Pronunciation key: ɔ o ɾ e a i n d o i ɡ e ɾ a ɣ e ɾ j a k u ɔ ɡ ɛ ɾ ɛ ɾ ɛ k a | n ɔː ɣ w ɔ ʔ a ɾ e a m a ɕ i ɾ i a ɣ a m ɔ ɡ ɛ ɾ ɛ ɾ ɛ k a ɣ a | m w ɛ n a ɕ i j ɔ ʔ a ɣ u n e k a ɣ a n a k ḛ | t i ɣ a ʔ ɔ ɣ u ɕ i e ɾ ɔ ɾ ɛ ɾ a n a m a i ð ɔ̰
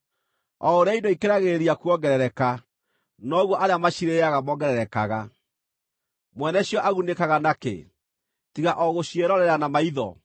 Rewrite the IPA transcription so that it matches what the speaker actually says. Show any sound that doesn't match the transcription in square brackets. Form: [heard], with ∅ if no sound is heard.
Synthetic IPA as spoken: ɔ o ɾ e a i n d o i [k] e ɾ a ɣ e ɾ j a k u ɔ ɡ ɛ ɾ ɛ ɾ ɛ k a | n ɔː ɣ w ɔ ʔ a ɾ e a m a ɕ i ɾ [e] a ɣ a m ɔ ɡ ɛ ɾ ɛ ɾ ɛ k a ɣ a | m w ɛ n [ɛ] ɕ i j ɔ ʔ a ɣ u n e k a ɣ a n a k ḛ | t i ɣ a ʔ ɔ ɣ [o] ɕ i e ɾ ɔ ɾ ɛ ɾ a n a m a i ð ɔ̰